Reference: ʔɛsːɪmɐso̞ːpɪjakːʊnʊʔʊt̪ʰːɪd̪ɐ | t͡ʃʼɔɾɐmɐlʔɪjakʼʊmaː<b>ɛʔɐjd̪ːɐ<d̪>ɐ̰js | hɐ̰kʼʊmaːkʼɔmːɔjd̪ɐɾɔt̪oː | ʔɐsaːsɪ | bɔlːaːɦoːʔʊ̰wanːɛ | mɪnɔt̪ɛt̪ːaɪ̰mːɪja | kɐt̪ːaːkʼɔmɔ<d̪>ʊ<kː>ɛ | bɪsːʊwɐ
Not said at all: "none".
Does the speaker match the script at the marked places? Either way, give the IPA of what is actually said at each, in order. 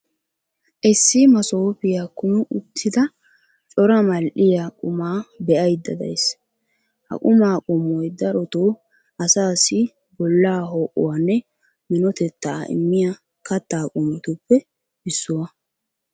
b, d̪, t̪, pː

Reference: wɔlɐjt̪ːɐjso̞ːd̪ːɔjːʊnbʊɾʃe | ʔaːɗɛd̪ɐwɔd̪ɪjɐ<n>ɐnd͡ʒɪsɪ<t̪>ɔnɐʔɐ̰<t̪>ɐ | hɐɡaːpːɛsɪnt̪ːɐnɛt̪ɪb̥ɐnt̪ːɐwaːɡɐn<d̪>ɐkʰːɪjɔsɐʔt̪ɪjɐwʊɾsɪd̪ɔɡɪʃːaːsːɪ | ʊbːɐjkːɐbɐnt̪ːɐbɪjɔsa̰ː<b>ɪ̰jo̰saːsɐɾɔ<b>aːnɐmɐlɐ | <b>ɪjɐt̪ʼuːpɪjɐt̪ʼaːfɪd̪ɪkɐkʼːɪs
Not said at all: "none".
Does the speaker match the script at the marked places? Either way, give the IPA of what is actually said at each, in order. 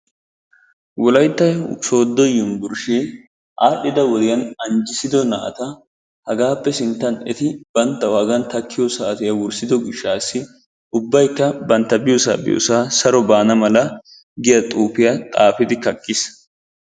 n, d̪, t̪, t̪, b, b, ɡ

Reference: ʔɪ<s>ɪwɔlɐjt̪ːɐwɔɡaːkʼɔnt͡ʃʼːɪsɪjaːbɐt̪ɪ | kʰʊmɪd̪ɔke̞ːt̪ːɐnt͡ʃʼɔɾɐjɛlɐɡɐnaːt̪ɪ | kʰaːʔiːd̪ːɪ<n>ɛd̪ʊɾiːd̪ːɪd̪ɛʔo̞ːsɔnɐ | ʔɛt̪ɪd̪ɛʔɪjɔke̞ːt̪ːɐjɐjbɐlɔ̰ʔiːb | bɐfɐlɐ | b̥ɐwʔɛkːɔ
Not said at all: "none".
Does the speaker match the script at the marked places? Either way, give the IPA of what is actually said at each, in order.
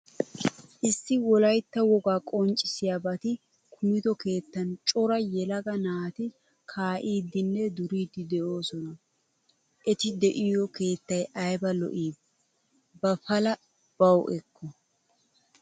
sː, nː

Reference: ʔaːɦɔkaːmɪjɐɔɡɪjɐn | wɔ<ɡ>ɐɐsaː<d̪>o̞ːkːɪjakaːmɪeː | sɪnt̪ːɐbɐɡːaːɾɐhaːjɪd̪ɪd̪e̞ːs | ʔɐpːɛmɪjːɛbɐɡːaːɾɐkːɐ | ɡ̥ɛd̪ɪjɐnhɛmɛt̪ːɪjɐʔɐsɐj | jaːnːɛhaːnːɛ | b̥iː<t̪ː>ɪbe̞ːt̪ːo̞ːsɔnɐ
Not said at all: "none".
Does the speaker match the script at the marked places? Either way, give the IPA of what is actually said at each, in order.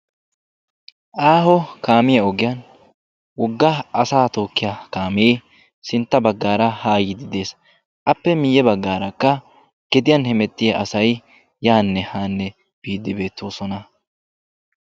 ɡː, t̪, d̪ː

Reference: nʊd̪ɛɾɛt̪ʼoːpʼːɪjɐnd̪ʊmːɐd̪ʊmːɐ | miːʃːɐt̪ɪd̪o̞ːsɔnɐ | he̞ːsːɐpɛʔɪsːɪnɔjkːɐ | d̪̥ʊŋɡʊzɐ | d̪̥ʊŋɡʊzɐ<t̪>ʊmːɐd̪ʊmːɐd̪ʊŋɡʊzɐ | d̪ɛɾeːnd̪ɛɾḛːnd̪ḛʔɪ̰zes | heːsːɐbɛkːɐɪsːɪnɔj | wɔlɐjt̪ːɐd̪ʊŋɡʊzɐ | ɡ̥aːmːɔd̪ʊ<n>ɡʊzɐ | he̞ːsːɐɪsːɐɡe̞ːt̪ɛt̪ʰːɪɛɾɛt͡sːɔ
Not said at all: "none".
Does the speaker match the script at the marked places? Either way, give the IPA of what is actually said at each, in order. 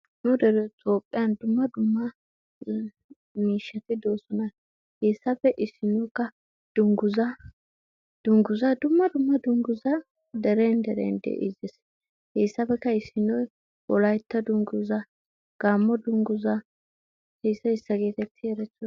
d̪, ŋ

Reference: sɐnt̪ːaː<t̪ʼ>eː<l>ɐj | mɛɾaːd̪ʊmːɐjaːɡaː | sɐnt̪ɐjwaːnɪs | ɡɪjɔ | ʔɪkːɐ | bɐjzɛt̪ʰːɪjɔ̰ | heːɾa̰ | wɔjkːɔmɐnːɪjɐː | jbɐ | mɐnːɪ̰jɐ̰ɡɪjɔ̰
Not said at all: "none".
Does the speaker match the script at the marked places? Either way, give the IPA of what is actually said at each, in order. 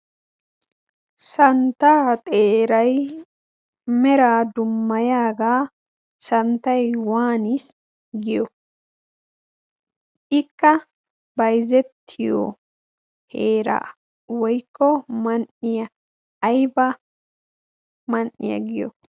t̪ʼ, ɾ

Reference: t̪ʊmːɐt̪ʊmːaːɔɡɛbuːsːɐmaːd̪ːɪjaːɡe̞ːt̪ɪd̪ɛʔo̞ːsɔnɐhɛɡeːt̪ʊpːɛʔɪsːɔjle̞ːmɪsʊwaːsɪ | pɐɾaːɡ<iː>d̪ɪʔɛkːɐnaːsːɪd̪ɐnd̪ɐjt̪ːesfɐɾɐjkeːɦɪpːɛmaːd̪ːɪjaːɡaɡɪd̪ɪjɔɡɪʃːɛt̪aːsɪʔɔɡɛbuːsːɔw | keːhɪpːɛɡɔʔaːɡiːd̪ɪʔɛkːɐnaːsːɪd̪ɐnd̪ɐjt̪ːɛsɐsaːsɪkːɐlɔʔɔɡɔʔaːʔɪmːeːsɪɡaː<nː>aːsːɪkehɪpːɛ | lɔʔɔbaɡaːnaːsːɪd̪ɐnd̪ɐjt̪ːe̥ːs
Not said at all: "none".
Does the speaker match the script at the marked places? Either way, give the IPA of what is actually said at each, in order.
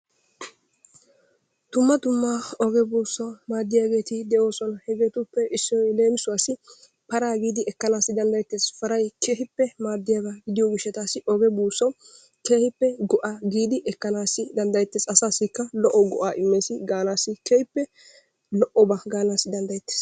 iː, n

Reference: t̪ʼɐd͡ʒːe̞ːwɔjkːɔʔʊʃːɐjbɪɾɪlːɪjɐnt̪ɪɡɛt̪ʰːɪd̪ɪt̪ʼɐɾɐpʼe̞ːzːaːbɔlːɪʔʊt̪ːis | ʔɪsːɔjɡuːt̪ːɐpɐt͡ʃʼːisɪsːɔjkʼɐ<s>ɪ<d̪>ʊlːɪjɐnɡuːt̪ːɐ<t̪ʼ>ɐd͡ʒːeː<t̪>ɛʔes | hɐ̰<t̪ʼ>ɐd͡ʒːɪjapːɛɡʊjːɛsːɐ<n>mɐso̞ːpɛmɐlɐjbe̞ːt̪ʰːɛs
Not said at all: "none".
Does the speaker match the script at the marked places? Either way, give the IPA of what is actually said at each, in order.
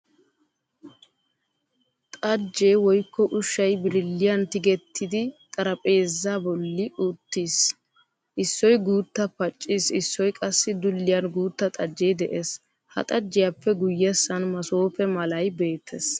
sː, d̪, t̪ʼ, d̪, t̪ʼ, n

